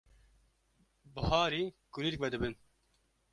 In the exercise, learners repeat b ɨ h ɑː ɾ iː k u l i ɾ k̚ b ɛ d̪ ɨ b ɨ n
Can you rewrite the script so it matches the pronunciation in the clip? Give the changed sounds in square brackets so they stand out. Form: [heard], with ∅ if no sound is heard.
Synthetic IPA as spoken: b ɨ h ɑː ɾ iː k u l i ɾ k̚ [v] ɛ d̪ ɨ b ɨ n